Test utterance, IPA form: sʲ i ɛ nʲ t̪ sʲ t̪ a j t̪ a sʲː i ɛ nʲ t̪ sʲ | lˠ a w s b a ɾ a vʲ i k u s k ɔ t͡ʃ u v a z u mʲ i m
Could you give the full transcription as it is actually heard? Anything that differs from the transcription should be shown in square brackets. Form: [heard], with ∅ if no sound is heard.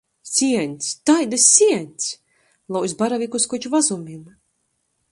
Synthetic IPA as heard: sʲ i ɛ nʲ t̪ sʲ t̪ a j [d̪] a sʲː i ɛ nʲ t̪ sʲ | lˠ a w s b a ɾ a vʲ i k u s k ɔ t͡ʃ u v a z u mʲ i m